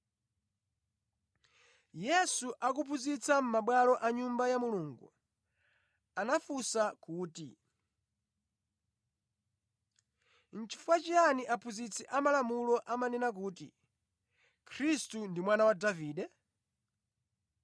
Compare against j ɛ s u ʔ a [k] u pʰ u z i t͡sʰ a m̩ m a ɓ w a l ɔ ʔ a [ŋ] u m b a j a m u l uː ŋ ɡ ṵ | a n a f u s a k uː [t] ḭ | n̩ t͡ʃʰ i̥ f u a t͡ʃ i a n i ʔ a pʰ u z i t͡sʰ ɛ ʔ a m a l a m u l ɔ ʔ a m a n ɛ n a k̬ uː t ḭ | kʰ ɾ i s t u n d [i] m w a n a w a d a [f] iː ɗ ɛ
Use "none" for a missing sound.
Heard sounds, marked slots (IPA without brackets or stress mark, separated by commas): k, ɲ, t, i, v